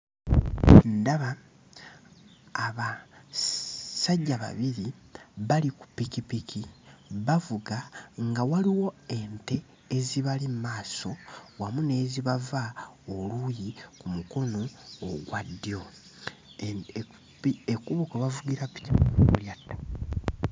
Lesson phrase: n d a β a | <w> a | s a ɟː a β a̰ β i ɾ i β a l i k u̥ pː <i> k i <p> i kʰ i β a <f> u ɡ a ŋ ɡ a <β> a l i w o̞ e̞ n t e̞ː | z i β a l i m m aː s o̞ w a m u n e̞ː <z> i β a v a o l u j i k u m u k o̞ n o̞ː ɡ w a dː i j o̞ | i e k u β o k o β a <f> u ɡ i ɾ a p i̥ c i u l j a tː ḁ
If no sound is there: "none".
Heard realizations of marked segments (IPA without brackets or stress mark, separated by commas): β, i, p, v, w, z, v